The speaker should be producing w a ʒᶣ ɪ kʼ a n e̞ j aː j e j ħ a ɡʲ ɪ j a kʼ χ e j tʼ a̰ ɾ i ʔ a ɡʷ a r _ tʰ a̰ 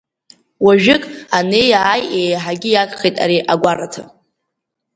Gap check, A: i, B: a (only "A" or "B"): B